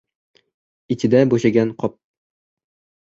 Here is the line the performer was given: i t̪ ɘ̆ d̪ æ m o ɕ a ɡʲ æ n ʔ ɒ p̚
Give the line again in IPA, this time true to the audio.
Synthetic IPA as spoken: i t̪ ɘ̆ d̪ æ b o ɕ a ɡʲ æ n q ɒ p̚